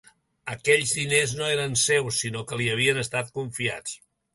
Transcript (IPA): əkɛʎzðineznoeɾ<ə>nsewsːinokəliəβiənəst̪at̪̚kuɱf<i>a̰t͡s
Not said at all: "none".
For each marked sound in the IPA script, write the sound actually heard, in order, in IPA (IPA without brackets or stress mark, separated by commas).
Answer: ə, i